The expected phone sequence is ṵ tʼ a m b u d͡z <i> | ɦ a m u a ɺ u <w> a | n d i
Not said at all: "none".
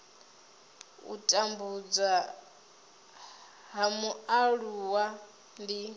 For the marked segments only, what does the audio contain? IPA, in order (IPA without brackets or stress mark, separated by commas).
a, w